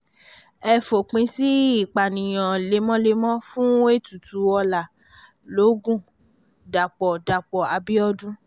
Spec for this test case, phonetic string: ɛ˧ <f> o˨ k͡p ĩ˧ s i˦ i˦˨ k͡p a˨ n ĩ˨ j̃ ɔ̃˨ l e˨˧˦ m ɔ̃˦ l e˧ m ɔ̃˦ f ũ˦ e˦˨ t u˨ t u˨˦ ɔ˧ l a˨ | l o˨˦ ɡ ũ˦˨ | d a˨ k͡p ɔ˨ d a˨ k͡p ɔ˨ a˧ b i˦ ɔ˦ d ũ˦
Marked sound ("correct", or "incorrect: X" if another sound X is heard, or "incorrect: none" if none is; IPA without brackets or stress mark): correct